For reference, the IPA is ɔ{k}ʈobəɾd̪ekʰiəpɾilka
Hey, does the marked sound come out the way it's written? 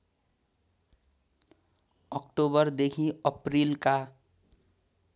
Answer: yes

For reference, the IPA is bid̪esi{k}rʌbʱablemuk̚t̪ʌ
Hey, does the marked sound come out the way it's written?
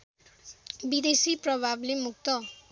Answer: no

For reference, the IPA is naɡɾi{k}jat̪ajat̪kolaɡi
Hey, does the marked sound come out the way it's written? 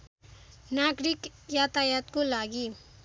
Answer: yes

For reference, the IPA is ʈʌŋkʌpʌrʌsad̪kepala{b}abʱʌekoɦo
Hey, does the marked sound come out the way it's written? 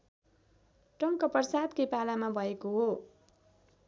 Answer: no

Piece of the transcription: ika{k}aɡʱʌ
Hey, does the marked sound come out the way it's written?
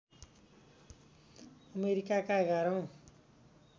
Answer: yes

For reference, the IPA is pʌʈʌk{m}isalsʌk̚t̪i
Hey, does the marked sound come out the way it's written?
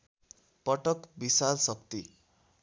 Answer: no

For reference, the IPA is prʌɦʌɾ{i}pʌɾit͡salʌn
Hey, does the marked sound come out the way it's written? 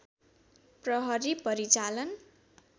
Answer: yes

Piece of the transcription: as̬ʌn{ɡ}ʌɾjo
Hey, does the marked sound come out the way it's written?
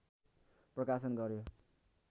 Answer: yes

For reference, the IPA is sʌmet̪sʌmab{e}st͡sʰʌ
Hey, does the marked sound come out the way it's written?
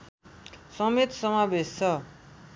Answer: yes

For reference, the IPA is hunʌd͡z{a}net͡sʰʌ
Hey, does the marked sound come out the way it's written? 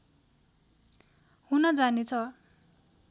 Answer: yes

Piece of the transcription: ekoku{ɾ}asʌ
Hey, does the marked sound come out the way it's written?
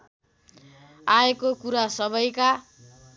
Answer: yes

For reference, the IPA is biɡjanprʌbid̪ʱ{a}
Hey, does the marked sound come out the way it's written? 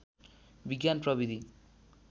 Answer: no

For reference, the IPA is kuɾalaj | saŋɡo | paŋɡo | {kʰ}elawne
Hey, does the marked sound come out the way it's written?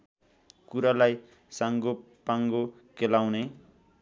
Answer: no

